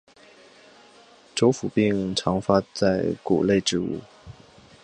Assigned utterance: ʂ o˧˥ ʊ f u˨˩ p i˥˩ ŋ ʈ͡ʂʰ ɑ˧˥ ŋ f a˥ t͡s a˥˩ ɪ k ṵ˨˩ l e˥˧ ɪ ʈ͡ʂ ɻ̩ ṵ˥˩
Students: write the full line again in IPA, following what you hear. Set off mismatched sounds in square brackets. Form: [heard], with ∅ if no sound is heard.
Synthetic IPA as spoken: [ʈ͡ʂ] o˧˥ ʊ f u˨˩ p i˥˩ ŋ ʈ͡ʂʰ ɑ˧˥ ŋ f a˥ t͡s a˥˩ ɪ k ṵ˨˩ l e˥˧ ɪ ʈ͡ʂ ɻ̩ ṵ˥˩